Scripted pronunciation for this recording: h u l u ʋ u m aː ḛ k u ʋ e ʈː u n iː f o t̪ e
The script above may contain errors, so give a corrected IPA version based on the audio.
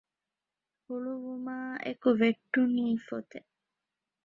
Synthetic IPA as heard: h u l u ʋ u m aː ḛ k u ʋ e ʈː u n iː f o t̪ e